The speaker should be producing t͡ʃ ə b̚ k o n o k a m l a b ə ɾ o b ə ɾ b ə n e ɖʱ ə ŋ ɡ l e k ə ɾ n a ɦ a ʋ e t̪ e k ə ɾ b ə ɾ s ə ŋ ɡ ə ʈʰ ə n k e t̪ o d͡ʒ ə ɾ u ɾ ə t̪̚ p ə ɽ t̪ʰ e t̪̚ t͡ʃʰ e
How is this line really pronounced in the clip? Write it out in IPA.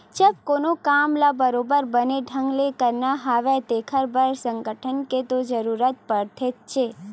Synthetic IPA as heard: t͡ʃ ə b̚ k o n o k a m l a b ə ɾ o b ə ɾ b ə n e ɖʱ ə ŋ ɡ l e k ə ɾ n a ɦ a ʋ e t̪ e kʰ ə ɾ b ə ɾ s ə ŋ ɡ ə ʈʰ ə n k e t̪ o d͡ʒ ə ɾ u ɾ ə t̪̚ p ə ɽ t̪ʰ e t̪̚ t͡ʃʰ e